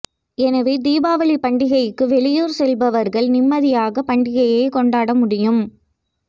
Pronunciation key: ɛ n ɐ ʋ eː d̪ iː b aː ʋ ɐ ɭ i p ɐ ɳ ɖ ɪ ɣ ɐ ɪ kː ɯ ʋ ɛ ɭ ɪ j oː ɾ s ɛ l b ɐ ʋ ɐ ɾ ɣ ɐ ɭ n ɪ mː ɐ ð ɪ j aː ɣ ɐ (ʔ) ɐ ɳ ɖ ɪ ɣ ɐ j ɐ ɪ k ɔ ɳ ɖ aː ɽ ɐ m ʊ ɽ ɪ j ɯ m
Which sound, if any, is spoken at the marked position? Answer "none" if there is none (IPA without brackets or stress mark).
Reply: p